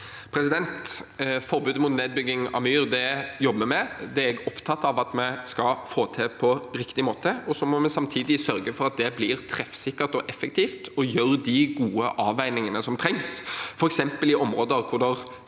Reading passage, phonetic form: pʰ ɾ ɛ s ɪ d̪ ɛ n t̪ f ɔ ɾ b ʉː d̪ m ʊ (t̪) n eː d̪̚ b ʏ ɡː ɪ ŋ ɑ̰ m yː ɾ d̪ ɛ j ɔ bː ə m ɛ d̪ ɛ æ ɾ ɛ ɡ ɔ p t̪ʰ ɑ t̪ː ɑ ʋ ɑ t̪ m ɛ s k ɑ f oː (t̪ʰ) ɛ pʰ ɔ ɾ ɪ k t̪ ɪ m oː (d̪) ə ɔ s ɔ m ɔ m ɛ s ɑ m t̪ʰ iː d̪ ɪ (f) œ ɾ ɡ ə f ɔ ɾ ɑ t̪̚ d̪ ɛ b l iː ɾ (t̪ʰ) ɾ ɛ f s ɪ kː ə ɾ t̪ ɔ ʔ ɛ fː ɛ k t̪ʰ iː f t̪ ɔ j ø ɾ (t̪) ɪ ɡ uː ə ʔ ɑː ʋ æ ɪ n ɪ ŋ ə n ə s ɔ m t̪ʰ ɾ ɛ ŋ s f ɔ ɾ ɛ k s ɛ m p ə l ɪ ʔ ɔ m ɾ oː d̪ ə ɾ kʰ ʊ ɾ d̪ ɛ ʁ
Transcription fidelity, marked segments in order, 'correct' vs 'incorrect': correct, correct, incorrect: t̪, incorrect: s, correct, incorrect: d̪

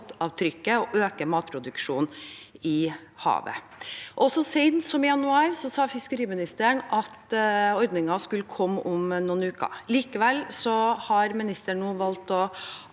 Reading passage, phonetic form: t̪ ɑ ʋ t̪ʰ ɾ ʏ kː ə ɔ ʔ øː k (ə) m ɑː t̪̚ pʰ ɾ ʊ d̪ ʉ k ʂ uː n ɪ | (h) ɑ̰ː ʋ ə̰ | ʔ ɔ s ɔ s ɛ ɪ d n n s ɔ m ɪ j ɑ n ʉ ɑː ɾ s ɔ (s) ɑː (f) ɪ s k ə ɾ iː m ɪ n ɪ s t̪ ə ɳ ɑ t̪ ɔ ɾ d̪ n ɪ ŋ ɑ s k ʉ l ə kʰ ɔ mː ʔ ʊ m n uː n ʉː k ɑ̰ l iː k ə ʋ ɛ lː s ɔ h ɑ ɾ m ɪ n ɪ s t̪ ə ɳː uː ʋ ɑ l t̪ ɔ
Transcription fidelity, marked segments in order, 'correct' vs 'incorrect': correct, correct, correct, correct

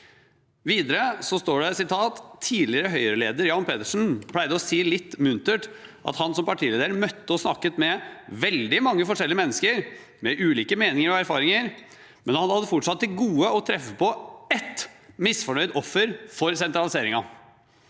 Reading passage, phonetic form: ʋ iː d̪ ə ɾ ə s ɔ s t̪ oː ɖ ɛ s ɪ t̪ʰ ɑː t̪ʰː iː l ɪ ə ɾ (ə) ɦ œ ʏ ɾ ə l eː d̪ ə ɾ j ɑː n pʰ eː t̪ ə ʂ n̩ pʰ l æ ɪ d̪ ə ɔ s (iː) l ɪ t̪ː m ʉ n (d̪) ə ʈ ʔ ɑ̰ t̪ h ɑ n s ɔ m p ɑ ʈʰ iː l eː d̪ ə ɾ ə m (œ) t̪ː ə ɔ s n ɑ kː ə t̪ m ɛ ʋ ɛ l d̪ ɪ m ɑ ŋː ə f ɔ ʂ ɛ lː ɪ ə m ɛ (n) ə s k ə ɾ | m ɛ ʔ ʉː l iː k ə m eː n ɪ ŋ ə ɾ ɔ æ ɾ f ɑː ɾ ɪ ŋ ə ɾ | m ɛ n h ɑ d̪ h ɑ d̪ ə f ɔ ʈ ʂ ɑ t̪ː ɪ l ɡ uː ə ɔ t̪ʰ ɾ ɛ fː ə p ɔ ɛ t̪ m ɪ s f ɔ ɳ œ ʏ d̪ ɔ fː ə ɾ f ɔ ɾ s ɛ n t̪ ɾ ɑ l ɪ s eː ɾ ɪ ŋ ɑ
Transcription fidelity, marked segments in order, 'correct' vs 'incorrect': correct, correct, incorrect: t̪, correct, incorrect: nː

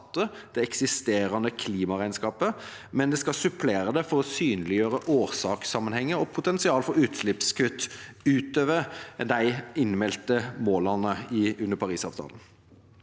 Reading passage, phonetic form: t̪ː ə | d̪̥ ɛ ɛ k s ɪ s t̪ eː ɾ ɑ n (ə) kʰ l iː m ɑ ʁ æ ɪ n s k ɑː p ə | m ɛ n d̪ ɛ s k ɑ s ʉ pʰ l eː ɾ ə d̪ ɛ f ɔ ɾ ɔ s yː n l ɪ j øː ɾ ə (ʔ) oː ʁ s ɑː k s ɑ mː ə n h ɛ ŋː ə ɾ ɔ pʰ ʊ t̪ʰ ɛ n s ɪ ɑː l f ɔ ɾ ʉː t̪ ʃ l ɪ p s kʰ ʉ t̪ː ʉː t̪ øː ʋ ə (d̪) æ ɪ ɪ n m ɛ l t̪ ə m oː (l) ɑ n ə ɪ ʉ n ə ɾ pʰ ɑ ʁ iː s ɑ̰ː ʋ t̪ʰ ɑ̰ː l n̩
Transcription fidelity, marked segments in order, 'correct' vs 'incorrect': correct, correct, correct, correct

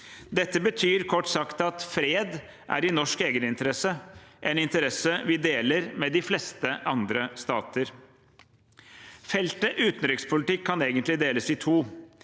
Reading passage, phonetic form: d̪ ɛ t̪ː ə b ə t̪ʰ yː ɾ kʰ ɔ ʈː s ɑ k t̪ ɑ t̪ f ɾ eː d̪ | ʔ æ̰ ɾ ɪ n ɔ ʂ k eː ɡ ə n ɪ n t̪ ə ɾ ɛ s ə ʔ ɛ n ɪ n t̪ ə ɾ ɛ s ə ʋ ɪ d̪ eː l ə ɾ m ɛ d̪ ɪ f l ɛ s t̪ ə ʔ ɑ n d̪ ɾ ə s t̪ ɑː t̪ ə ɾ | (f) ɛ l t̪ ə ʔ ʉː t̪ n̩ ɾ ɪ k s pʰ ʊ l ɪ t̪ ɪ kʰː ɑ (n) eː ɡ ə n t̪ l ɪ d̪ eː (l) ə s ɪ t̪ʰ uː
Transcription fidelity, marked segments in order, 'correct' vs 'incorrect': correct, correct, correct

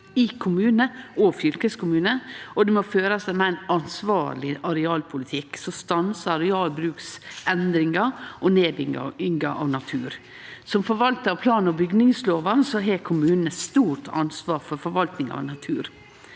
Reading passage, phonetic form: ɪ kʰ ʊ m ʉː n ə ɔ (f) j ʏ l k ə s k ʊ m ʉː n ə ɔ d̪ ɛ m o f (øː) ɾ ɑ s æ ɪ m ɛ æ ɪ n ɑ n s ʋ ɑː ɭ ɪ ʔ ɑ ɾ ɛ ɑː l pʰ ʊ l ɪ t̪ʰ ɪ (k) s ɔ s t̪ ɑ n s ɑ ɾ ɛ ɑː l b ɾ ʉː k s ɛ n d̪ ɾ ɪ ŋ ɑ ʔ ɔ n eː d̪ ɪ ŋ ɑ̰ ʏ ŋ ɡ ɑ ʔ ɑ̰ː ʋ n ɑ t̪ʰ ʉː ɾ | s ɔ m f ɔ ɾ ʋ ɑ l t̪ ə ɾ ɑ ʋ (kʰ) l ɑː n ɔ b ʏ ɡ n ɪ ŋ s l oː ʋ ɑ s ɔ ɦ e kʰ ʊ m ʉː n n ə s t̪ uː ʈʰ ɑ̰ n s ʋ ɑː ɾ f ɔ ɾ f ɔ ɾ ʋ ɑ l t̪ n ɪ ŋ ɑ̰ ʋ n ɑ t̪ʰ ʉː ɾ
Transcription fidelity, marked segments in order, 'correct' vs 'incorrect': correct, correct, correct, incorrect: pʰ

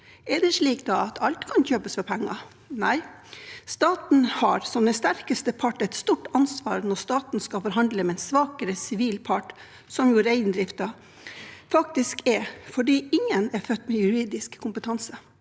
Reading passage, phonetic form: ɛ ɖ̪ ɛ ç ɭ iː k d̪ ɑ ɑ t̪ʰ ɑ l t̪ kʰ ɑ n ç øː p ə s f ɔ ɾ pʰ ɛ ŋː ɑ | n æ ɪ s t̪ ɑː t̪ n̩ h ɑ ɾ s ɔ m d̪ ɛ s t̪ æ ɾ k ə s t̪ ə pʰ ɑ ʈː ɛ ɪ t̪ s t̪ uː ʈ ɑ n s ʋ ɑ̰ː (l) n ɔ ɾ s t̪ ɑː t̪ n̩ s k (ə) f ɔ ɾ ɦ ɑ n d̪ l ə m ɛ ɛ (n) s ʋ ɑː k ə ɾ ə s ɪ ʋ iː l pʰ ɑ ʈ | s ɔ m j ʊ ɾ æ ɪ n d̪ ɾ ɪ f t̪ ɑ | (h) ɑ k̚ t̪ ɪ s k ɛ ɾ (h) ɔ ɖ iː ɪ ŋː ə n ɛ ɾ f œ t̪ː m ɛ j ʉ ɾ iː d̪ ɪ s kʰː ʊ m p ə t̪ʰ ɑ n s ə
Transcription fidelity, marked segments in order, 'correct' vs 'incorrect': incorrect: ɾ, incorrect: ɑ, correct, incorrect: f, incorrect: f

